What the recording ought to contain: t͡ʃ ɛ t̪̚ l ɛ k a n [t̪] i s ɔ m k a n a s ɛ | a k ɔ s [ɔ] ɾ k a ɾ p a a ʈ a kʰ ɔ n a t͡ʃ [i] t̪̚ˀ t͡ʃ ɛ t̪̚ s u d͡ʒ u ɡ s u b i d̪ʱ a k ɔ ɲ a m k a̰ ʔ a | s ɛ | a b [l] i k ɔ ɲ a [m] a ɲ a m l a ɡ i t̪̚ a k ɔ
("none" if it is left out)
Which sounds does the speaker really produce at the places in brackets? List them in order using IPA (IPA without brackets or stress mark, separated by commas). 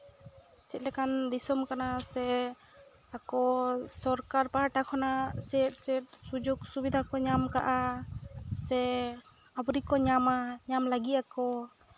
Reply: d̪, ɔ, ɛ, ɾ, m